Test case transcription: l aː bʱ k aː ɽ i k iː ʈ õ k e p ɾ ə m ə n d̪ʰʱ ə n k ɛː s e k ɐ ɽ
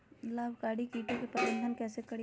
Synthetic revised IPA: l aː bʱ k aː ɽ i k iː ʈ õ k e p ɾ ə b ə n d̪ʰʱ ə n k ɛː s e k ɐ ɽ